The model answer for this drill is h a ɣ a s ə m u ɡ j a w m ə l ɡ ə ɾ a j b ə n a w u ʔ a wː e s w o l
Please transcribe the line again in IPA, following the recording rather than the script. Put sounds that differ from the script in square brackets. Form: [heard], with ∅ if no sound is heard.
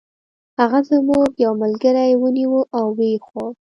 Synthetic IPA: h a ɣ a [z] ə m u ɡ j a w m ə l ɡ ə ɾ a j [w] ə n [i] w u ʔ a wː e [x] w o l